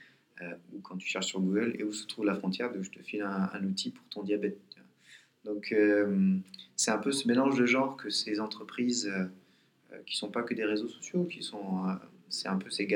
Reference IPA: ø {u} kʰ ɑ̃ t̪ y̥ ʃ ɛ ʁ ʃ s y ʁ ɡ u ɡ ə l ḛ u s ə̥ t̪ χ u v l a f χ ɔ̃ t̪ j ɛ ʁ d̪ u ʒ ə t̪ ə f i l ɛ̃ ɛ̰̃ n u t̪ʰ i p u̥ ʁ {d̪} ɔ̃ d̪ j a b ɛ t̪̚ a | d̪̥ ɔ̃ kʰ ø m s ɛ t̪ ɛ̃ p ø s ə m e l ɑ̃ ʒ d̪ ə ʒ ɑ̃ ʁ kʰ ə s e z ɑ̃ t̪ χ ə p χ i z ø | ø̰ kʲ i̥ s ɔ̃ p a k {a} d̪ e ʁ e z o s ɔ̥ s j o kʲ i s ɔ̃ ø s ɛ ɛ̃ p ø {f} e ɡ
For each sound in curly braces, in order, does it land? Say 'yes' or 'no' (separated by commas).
yes, no, no, no